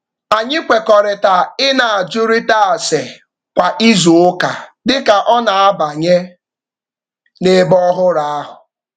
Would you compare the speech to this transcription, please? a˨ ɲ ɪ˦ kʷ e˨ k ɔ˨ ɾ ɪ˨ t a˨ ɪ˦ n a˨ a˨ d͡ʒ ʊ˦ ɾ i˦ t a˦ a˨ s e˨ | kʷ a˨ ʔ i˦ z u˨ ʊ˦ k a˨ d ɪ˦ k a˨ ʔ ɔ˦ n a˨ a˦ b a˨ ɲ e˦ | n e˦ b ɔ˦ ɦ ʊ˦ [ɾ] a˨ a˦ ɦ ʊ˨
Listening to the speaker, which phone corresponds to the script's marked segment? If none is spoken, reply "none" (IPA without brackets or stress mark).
ɾ